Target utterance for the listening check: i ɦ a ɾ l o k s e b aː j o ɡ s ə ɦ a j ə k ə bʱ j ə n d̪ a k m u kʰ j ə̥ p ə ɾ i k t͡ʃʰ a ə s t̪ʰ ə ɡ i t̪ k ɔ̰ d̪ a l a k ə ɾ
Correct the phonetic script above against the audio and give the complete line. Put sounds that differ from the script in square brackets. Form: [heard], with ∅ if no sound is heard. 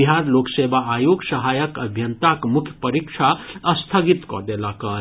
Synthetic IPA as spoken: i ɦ a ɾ l o k s e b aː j o ɡ s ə ɦ a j ə k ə bʱ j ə n [t̪] a k m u kʰ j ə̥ p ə ɾ i k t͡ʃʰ a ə s t̪ʰ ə ɡ i t̪ k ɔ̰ d̪ [e] l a k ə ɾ